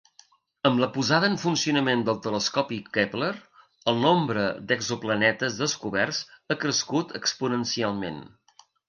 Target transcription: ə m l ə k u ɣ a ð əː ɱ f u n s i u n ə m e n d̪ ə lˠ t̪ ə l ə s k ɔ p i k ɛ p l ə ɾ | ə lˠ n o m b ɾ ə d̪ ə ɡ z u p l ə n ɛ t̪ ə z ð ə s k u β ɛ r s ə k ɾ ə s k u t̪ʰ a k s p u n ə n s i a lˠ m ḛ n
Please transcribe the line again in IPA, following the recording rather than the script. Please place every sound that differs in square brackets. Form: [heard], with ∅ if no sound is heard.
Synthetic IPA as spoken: ə m l ə [p] u [z] a ð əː ɱ f u n s i u n ə m e n d̪ ə lˠ t̪ ə l ə s k ɔ p i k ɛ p l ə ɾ | ə lˠ n o m b ɾ ə d̪ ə ɡ z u p l ə n ɛ t̪ ə z ð ə s k u β ɛ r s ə k ɾ ə s k u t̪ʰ [ə] k s p u n ə n s i a lˠ m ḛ n